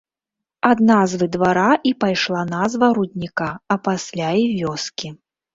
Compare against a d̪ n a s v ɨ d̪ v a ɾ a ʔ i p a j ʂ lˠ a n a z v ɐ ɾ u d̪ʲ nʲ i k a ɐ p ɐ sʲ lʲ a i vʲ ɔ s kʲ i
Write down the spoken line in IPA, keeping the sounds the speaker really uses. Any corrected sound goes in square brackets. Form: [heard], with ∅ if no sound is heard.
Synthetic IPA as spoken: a d̪ n a [z] v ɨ d̪ v a ɾ a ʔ i p a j ʂ lˠ a n a z v ɐ ɾ u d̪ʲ nʲ i k a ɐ p [a] sʲ lʲ a i vʲ ɔ s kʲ i